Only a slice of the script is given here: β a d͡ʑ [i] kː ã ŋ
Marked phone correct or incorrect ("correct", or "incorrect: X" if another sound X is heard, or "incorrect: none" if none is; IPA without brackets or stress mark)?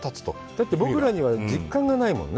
correct